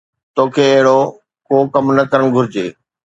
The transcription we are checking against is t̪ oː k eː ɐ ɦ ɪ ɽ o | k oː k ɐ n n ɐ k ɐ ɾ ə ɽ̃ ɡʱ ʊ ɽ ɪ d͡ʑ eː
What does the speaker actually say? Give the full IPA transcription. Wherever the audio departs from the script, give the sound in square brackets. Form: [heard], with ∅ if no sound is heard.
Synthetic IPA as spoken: t̪ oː [kʰ] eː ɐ ɦ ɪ ɽ o | k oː k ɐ [m] n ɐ k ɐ ɾ ə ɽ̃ ɡʱ ʊ [ɾ] ɪ d͡ʑ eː